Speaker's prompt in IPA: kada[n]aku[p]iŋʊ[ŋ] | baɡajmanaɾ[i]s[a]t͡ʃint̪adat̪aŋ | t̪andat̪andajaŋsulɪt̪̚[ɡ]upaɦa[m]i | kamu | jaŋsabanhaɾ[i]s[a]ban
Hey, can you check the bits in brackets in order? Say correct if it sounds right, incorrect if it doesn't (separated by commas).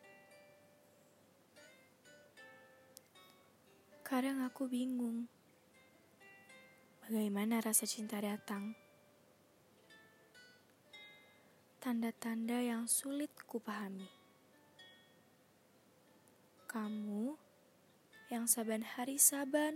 incorrect, incorrect, correct, incorrect, correct, incorrect, correct, correct, correct